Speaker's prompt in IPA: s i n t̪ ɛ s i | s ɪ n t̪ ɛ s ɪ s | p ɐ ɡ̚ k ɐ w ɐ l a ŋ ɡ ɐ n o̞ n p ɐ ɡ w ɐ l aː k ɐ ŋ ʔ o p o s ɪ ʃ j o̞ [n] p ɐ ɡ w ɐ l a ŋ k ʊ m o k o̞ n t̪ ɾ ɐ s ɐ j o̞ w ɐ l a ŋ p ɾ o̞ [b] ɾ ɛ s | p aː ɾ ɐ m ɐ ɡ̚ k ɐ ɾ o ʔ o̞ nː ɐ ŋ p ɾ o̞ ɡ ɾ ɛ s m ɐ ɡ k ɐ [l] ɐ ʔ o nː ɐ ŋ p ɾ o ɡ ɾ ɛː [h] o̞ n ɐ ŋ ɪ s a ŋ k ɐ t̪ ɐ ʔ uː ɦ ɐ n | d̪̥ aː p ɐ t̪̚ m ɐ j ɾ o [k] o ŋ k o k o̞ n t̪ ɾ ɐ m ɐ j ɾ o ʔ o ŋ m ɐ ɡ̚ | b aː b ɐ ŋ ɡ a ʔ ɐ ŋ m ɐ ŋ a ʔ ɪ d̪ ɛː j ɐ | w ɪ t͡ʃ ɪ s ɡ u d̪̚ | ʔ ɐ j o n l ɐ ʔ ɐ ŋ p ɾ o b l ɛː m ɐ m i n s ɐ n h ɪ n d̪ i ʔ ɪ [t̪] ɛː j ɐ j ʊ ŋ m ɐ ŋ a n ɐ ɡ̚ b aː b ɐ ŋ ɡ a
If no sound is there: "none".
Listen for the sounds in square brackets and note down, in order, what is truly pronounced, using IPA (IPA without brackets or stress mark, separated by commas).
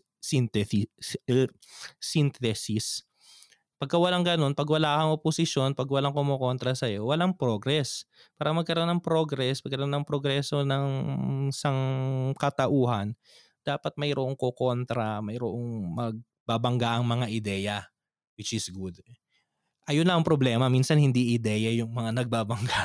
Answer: n, ɡ, ɾ, s, ʔ, d̪